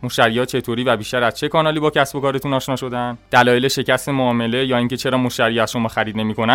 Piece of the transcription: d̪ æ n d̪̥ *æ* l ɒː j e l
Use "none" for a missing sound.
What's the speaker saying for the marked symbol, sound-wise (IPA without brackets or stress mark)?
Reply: æ